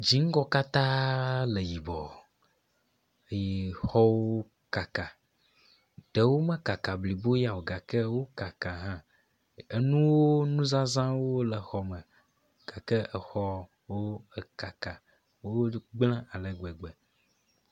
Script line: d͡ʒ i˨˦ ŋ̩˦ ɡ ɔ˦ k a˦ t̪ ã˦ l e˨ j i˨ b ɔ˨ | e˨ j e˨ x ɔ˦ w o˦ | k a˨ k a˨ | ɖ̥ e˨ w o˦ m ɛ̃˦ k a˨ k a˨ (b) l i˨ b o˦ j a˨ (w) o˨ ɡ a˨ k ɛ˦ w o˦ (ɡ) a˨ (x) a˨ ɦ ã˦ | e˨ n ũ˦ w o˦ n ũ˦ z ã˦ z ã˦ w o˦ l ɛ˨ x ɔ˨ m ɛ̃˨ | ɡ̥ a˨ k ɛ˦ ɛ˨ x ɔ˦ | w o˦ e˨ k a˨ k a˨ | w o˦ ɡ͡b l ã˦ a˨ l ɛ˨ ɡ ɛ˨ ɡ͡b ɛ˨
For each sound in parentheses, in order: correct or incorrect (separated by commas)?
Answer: correct, correct, incorrect, incorrect